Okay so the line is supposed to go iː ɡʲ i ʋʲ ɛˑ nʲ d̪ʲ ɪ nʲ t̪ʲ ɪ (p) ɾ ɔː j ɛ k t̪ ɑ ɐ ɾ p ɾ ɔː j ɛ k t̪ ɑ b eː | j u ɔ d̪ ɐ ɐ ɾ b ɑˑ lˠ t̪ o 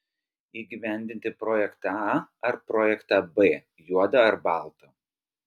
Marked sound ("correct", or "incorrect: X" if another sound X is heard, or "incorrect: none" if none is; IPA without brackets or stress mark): correct